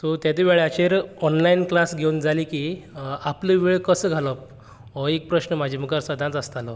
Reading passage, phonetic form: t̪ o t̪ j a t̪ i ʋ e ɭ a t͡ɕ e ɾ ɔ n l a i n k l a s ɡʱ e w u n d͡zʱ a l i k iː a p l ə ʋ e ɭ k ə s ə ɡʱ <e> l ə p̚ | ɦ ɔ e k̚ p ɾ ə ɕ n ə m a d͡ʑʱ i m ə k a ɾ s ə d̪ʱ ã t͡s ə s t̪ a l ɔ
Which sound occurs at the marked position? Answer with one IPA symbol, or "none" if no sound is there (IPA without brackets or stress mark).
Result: a